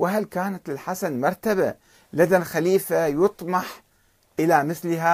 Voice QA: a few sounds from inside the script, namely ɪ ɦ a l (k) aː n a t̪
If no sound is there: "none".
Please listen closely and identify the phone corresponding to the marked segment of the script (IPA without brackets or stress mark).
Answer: k